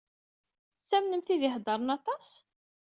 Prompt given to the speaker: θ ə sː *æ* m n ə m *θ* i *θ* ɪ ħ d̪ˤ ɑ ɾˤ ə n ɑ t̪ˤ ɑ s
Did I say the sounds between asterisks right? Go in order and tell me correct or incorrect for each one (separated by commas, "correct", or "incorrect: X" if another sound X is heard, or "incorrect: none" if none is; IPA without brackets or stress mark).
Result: correct, correct, incorrect: ð